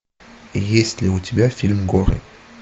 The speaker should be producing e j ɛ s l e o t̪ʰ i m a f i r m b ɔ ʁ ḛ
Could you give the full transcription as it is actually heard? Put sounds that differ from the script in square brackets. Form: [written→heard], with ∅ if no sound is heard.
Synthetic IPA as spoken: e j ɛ s l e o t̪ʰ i [m→b] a f i [r→l] m [b→ɡ] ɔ ʁ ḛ